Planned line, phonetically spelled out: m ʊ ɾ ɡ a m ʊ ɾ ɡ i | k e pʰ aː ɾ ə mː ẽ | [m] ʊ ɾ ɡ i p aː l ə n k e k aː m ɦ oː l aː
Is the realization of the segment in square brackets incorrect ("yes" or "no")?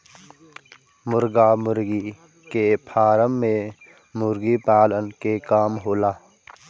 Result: no